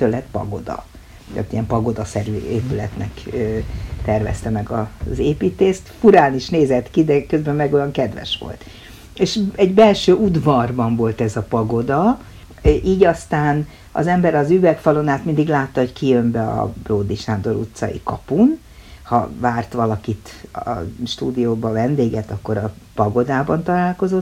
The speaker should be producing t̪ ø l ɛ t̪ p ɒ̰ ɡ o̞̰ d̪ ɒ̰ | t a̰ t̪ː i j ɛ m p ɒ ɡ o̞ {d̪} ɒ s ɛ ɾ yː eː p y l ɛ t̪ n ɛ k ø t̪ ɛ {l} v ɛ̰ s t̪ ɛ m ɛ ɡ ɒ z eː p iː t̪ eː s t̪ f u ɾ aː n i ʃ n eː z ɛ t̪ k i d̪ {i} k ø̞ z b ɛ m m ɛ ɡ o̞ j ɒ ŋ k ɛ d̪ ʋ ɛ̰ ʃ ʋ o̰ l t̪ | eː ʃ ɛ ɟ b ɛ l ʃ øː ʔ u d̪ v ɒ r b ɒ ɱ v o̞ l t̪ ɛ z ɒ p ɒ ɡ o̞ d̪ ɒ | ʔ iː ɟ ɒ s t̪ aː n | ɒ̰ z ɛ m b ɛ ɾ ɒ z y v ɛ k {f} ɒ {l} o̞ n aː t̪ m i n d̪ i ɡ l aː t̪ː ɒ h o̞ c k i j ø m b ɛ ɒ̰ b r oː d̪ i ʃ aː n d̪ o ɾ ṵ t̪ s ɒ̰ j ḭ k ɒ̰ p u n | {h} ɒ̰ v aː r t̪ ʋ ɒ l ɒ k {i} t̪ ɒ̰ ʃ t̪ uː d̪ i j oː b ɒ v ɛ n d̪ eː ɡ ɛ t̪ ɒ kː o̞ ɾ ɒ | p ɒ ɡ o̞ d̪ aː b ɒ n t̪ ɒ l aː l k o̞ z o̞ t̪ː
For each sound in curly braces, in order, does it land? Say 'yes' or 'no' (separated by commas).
yes, no, no, yes, yes, yes, yes